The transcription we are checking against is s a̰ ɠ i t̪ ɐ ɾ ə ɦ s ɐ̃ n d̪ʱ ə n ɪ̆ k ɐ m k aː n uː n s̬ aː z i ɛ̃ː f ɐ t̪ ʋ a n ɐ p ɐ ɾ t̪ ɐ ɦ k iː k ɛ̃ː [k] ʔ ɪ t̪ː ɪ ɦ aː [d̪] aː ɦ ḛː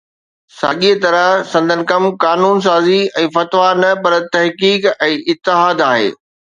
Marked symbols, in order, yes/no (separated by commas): no, yes